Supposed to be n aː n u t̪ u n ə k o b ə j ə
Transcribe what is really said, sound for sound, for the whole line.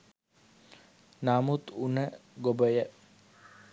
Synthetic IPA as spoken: n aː m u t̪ u n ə ɡ o b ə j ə